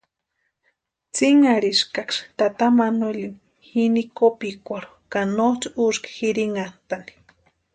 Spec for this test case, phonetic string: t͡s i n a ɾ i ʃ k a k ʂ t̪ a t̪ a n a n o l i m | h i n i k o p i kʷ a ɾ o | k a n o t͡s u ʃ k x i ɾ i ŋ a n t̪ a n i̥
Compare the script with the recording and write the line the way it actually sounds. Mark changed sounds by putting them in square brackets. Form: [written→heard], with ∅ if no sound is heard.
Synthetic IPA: t͡s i [n→ŋ] a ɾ i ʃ k a k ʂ t̪ a t̪ a [n→m] a n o l i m | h i n i k o p i kʷ a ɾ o | k a n o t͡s u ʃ k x i ɾ i ŋ a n t̪ a n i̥